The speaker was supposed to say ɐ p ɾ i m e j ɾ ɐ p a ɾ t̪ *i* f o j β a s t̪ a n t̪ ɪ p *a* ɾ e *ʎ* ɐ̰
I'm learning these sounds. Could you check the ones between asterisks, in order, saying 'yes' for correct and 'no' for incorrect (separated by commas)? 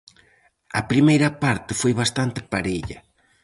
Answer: no, yes, yes